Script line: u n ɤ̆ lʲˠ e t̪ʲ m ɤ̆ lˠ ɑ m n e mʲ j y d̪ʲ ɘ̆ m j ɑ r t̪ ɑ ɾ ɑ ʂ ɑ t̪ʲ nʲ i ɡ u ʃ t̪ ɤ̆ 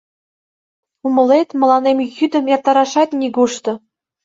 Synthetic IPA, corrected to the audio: u m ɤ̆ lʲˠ e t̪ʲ m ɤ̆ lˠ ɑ n e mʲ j y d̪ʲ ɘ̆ m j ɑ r t̪ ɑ ɾ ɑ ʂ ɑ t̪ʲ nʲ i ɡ u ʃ t̪ ɤ̆